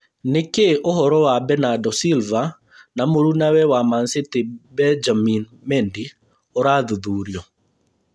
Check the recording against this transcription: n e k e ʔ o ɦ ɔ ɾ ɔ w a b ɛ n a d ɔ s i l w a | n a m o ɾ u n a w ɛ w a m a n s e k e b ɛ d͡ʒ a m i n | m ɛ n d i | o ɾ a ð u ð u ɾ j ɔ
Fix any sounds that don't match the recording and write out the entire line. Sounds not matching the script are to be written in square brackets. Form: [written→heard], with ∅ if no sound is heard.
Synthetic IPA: n e k e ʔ o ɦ ɔ ɾ ɔ w a b ɛ n a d ɔ s i l [w→v] a | n a m o ɾ u n a w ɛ w a m a n s e [k→t] e b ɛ d͡ʒ a m i n | m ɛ n d i | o ɾ a ð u ð u ɾ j ɔ